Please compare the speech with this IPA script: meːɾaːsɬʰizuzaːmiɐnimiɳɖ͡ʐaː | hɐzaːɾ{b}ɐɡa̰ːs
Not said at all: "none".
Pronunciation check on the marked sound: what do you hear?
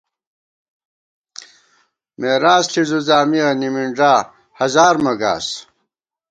m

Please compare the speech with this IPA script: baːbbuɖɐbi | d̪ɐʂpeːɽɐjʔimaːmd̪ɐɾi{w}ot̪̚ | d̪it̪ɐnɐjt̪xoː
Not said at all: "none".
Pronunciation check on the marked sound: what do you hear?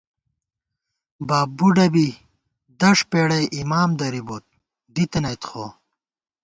b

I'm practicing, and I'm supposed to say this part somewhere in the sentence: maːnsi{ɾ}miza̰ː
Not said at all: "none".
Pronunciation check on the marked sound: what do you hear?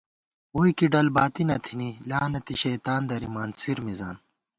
ɾ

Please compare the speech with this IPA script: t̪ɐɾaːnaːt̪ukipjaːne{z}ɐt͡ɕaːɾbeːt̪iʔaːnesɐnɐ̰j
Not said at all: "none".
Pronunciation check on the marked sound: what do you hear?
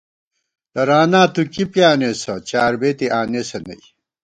s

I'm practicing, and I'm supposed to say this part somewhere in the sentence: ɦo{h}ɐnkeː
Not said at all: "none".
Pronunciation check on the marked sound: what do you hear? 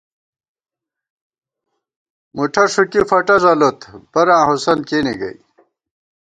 s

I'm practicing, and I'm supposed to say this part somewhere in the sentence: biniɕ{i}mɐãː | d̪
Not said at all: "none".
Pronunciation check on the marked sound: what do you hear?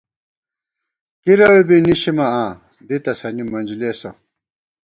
i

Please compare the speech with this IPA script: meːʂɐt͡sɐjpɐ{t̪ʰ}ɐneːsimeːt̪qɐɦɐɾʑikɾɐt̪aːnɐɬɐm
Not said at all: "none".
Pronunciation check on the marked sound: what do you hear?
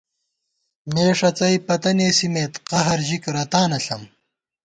t̪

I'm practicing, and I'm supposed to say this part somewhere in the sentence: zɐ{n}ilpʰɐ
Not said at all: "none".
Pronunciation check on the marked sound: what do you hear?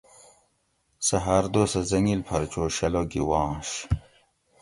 ŋ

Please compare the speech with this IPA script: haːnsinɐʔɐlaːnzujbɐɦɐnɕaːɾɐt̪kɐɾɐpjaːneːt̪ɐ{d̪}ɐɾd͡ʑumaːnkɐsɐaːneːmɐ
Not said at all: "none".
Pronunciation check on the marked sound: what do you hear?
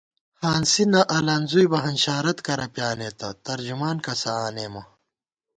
t̪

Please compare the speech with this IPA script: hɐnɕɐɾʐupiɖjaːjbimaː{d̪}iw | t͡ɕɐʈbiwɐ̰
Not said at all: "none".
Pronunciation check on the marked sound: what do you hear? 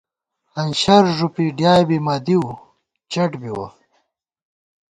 d̪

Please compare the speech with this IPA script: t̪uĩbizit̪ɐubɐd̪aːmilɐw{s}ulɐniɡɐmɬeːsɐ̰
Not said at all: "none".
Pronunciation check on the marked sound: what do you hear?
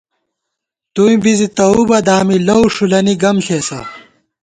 ʂ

